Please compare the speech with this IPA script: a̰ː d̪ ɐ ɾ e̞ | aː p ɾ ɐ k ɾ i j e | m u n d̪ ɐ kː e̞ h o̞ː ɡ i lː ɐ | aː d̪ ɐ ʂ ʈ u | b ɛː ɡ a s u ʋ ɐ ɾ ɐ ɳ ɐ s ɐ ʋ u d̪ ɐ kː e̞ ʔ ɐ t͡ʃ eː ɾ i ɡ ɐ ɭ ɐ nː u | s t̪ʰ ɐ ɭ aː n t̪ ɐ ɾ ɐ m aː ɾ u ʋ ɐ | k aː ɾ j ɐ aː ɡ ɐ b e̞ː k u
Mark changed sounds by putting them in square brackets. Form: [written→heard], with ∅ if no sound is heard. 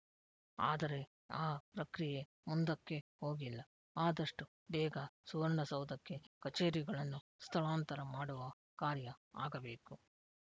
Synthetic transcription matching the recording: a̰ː d̪ ɐ ɾ e̞ | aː p ɾ ɐ k ɾ i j e | m u n d̪ ɐ kː e̞ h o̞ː ɡ i lː ɐ | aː d̪ ɐ ʂ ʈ u | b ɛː ɡ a s u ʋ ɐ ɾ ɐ ɳ ɐ s ɐ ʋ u d̪ ɐ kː e̞ [ʔ→k] ɐ t͡ʃ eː ɾ i ɡ ɐ ɭ ɐ nː u | s t̪ʰ ɐ ɭ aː n t̪ ɐ ɾ ɐ m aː [ɾ→ɽ] u ʋ ɐ | k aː ɾ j ɐ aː ɡ ɐ b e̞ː k u

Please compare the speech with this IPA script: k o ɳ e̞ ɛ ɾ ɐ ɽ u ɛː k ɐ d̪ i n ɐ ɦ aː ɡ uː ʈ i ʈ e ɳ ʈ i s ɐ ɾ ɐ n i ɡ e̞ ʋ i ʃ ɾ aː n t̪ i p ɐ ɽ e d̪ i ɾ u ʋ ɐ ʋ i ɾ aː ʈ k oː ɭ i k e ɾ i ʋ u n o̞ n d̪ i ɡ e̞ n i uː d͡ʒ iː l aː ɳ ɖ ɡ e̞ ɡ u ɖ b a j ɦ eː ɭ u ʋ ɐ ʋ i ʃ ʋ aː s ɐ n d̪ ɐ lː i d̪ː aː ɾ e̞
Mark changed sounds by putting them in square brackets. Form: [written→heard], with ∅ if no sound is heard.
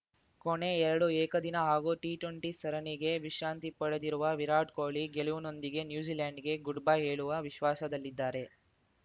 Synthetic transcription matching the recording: k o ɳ e̞ ɛ ɾ ɐ ɽ u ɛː k ɐ d̪ i n ɐ ɦ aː ɡ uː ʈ i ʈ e ɳ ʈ i s ɐ ɾ ɐ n i ɡ e̞ ʋ i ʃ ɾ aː n t̪ i p ɐ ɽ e d̪ i ɾ u ʋ ɐ ʋ i ɾ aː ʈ k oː ɭ i [k→ɡ] e [ɾ→l] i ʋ u n o̞ n d̪ i ɡ e̞ n [i→j] uː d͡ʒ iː l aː ɳ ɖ ɡ e̞ ɡ u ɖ b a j ɦ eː ɭ u ʋ ɐ ʋ i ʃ ʋ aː s ɐ [n→∅] d̪ ɐ lː i d̪ː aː ɾ e̞

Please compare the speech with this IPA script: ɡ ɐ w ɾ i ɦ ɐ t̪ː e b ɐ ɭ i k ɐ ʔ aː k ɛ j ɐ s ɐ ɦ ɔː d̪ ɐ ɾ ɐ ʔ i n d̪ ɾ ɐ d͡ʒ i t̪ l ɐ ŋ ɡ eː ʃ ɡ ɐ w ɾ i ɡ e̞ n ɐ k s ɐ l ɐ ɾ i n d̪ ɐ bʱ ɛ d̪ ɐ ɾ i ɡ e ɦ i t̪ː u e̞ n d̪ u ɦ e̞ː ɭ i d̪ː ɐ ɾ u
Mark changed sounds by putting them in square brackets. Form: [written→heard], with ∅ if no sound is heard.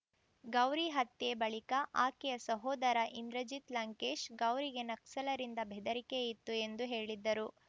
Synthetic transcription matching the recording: ɡ ɐ w ɾ i ɦ ɐ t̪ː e b ɐ ɭ i k ɐ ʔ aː k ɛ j ɐ s ɐ ɦ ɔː d̪ ɐ ɾ ɐ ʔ i n d̪ ɾ ɐ d͡ʒ i t̪ l ɐ ŋ [ɡ→k] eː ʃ ɡ ɐ w ɾ i ɡ e̞ n ɐ k s ɐ l ɐ ɾ i n d̪ ɐ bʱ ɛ d̪ ɐ ɾ i [ɡ→k] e [ɦ→∅] i t̪ː u e̞ n d̪ u ɦ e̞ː ɭ i d̪ː ɐ ɾ u

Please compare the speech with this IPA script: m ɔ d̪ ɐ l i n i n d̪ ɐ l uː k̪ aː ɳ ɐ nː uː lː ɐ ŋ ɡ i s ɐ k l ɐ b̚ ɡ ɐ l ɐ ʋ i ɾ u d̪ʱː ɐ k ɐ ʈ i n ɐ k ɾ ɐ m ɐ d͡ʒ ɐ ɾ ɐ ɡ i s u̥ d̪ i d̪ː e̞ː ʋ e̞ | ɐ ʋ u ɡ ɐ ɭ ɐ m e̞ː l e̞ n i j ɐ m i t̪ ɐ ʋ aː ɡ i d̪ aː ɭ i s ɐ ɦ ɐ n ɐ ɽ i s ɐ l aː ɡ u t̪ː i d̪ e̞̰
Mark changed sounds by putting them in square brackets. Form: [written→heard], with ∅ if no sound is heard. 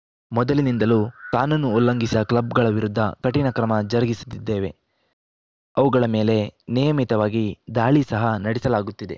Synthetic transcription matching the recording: m ɔ d̪ ɐ l i n i n d̪ ɐ l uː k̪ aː [ɳ→n] ɐ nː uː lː ɐ ŋ ɡ i s ɐ k l ɐ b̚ ɡ ɐ [l→ɭ] ɐ ʋ i ɾ u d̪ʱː ɐ k ɐ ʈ i n ɐ k ɾ ɐ m ɐ d͡ʒ ɐ ɾ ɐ ɡ i s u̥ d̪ i d̪ː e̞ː ʋ e̞ | ɐ ʋ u ɡ ɐ ɭ ɐ m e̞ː l e̞ n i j ɐ m i t̪ ɐ ʋ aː ɡ i d̪ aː ɭ i s ɐ ɦ ɐ n ɐ ɽ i s ɐ l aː ɡ u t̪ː i d̪ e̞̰

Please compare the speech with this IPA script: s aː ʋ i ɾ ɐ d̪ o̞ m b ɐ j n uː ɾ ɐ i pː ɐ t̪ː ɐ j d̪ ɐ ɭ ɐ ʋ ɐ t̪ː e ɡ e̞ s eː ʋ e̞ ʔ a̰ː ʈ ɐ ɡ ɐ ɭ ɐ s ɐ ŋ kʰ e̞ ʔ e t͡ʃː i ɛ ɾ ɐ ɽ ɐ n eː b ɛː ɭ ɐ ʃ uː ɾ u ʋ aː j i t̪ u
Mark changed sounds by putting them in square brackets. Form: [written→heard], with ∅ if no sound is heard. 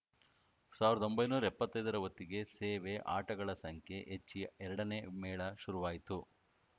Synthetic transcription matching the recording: s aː ʋ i ɾ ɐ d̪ o̞ m b ɐ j n uː ɾ ɐ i pː ɐ t̪ː ɐ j d̪ ɐ [ɭ→ɾ] ɐ ʋ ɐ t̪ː [e→i] ɡ e̞ s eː ʋ e̞ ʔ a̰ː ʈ ɐ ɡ ɐ ɭ ɐ s ɐ ŋ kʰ e̞ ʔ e t͡ʃː i ɛ ɾ ɐ ɽ ɐ n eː [b→m] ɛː ɭ ɐ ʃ [uː→u] ɾ u ʋ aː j i t̪ u

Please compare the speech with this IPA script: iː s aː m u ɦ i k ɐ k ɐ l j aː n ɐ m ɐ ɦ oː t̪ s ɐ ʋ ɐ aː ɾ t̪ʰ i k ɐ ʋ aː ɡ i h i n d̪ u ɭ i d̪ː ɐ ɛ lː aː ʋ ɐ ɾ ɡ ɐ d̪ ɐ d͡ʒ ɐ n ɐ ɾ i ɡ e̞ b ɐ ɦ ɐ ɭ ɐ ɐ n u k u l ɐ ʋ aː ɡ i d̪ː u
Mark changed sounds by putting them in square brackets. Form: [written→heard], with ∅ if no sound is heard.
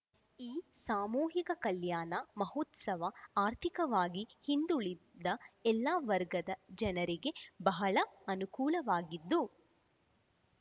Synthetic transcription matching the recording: iː s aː m [u→uː] ɦ i k ɐ k ɐ l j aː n ɐ m ɐ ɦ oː t̪ s ɐ ʋ ɐ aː ɾ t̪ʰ i k ɐ ʋ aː ɡ i h i n d̪ u ɭ i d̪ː ɐ ɛ lː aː ʋ ɐ ɾ ɡ ɐ d̪ ɐ d͡ʒ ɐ n ɐ ɾ i ɡ e̞ b ɐ ɦ ɐ ɭ ɐ ɐ n u k [u→uː] l ɐ ʋ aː ɡ i d̪ː u

